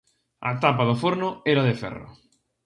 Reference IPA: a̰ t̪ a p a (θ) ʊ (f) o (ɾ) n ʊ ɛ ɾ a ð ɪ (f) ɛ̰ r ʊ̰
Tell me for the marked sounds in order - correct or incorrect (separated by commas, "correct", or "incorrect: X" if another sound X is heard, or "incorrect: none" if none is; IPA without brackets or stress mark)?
incorrect: ð, correct, correct, correct